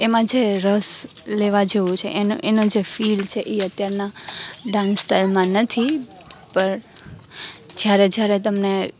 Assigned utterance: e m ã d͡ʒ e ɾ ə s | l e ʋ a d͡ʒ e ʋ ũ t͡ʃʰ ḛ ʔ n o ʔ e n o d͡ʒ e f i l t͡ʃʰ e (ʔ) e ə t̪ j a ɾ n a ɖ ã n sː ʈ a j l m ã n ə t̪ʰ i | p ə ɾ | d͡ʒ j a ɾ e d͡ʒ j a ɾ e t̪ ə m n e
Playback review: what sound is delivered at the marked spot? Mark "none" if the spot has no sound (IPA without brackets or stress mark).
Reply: ʔ